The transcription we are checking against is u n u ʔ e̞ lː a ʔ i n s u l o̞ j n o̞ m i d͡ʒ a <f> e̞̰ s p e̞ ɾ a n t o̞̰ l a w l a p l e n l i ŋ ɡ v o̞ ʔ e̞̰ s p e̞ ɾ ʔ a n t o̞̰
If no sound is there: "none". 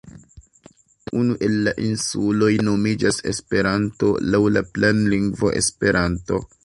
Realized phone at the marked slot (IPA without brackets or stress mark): s